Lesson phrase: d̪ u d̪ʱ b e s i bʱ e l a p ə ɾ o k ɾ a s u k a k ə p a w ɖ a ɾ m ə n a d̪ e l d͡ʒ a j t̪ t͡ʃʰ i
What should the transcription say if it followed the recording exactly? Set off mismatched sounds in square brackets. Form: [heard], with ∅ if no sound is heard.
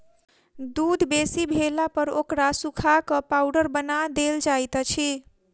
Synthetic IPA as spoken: d̪ u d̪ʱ b e s i bʱ e l a p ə ɾ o k ɾ a s u [kʰ] a k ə p a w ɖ [ə] ɾ [b] ə n a d̪ e l d͡ʒ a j t̪ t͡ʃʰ i